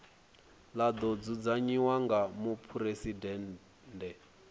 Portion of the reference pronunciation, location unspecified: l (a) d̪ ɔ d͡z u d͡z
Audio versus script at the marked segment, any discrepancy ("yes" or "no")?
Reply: no